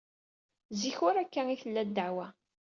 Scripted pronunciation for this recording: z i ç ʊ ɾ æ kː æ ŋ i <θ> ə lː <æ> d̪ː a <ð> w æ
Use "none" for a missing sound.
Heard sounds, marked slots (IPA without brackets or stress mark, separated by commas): θ, æ, ʕ